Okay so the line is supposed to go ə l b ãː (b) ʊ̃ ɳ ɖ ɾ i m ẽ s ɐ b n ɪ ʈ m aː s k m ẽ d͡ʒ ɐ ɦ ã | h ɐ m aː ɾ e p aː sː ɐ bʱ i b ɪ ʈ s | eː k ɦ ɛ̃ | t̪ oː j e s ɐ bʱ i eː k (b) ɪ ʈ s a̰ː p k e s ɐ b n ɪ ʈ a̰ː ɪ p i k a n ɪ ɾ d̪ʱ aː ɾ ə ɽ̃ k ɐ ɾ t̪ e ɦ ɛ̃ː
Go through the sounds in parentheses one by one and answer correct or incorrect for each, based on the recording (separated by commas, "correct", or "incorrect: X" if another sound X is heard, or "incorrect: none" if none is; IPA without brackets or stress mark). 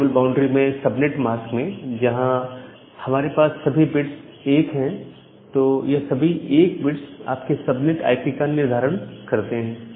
incorrect: none, correct